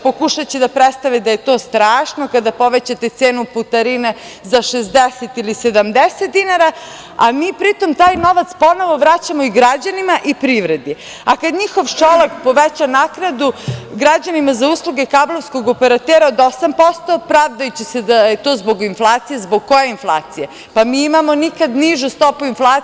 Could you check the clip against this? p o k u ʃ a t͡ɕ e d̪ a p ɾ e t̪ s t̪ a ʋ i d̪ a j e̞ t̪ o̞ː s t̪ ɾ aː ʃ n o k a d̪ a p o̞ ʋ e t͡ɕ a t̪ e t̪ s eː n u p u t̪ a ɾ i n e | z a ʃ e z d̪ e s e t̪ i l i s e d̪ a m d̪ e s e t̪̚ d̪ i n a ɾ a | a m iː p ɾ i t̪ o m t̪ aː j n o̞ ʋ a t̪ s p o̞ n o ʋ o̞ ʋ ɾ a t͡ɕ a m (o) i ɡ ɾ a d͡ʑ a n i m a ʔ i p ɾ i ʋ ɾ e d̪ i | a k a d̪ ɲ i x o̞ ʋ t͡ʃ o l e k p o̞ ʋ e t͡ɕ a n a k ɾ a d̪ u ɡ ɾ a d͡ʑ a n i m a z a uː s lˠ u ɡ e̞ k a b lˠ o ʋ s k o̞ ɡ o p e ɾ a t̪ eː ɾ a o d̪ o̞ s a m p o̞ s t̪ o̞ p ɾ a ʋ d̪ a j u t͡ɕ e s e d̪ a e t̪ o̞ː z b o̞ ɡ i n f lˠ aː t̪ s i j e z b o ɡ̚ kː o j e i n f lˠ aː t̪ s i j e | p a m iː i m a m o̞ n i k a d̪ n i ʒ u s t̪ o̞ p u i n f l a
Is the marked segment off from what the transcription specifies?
no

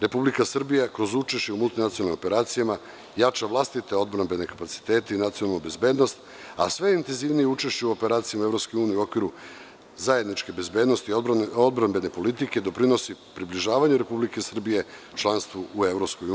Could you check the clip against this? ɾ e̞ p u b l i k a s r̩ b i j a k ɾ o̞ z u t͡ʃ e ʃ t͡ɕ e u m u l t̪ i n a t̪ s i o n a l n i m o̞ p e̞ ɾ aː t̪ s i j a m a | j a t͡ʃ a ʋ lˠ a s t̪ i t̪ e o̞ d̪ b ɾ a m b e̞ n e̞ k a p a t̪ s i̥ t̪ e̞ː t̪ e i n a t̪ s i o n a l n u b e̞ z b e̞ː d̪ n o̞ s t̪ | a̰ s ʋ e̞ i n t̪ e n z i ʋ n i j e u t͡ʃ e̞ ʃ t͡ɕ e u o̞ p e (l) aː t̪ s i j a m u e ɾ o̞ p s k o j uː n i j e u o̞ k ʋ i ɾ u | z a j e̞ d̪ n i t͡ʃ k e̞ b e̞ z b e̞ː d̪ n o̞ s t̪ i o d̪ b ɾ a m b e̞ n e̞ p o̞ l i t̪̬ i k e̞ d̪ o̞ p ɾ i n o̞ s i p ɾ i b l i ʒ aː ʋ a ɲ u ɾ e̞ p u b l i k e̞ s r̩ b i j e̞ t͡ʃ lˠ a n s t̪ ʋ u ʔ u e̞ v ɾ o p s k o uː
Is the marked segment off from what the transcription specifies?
yes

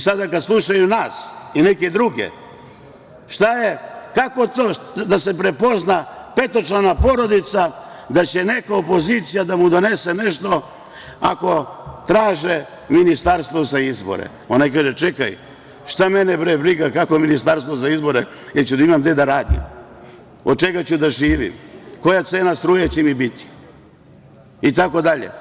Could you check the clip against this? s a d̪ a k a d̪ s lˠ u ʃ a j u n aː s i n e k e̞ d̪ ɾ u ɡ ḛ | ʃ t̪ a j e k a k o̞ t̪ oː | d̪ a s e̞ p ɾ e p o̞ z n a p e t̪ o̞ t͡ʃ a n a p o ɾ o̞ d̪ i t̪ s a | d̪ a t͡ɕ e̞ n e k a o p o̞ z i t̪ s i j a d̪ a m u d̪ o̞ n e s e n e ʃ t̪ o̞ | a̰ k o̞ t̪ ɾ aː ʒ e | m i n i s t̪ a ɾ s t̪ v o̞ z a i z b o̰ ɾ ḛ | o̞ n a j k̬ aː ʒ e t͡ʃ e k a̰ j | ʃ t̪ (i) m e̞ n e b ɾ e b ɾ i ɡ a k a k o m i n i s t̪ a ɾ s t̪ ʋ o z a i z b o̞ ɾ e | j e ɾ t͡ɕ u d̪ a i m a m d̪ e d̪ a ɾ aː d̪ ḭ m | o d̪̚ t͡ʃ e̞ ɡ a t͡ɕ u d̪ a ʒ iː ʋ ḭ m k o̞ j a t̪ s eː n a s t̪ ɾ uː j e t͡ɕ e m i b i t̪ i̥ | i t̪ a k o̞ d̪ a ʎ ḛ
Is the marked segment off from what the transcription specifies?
yes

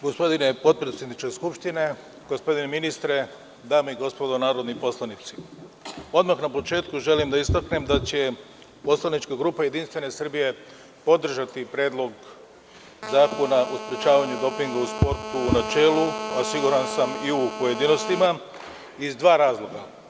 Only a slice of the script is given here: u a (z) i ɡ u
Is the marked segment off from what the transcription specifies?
yes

